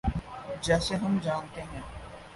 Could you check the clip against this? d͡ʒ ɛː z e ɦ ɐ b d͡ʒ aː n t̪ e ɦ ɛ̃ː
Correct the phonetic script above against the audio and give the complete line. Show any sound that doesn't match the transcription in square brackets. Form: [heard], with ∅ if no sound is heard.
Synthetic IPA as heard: d͡ʒ ɛː [s] e ɦ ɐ [m] d͡ʒ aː n t̪ e ɦ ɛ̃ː